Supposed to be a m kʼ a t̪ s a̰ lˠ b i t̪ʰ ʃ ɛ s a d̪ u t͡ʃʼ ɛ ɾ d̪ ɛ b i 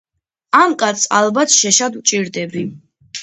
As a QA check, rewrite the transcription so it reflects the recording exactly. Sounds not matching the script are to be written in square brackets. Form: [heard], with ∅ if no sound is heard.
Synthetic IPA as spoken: a m kʼ a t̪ s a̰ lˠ b [a] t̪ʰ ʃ ɛ [ʃ] a d̪ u t͡ʃʼ [i] ɾ d̪ ɛ b i